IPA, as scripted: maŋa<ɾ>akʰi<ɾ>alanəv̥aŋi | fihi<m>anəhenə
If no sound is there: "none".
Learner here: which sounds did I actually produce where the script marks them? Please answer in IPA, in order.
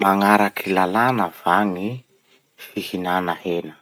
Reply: ɾ, l, n

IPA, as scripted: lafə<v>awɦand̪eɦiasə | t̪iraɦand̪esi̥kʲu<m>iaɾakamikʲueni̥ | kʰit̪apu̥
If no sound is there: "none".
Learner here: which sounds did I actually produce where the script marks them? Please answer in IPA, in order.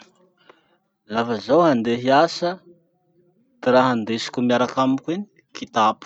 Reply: z, m

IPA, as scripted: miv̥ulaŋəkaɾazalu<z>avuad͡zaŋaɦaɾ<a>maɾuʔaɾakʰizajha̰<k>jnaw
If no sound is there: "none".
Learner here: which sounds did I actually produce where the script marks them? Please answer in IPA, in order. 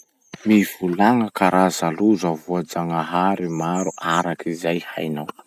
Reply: z, i, none

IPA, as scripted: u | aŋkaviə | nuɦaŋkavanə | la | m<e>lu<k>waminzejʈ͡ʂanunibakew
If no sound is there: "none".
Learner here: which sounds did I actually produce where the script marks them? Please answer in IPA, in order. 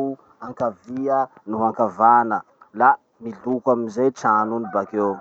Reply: i, k

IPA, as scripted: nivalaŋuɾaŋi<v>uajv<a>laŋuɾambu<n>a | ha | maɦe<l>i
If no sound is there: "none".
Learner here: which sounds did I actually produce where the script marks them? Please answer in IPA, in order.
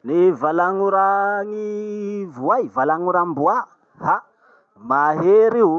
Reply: v, a, none, ɾ

